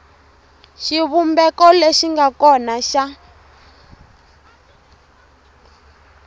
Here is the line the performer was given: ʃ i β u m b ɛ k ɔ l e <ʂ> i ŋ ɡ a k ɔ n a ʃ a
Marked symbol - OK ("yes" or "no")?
no